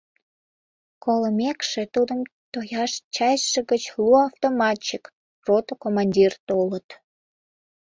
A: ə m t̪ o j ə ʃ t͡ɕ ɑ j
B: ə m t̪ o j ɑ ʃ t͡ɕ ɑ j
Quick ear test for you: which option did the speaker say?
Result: B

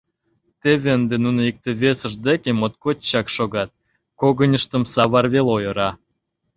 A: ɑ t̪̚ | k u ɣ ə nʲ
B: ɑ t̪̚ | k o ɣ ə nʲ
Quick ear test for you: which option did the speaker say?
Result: B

